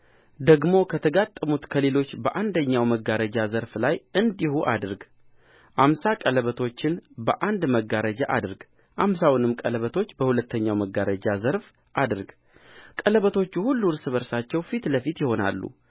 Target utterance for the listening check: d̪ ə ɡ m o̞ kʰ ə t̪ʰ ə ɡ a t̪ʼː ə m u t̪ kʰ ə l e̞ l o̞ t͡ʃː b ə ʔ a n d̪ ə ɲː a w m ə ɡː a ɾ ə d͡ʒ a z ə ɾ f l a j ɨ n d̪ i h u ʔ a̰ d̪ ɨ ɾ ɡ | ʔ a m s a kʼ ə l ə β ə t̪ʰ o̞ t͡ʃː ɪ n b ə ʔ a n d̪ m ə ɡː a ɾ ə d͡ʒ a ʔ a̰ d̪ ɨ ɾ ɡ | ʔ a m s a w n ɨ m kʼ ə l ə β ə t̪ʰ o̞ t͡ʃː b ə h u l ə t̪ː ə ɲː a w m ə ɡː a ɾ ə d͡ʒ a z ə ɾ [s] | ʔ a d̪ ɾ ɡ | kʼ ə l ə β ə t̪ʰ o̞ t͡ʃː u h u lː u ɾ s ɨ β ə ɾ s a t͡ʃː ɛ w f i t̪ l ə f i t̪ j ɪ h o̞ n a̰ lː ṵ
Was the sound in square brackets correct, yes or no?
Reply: no